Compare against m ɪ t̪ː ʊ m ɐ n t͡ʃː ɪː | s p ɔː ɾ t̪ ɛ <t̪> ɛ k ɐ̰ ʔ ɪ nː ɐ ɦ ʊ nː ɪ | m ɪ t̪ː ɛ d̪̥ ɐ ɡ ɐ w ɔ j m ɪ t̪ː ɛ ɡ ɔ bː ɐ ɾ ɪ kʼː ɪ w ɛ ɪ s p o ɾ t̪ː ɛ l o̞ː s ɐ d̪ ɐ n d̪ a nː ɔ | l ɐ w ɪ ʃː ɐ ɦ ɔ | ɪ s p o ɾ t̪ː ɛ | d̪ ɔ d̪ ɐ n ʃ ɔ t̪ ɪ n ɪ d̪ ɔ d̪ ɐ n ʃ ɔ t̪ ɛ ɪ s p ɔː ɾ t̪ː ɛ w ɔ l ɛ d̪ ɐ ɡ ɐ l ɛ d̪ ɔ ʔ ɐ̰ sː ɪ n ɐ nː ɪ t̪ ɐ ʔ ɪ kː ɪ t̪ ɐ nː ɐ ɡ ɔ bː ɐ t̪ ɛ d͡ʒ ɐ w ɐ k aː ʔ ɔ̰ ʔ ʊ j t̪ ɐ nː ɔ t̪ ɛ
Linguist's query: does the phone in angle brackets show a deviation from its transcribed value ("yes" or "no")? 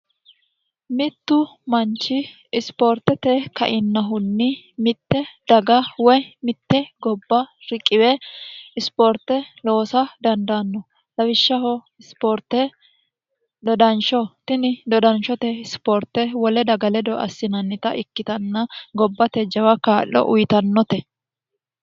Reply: no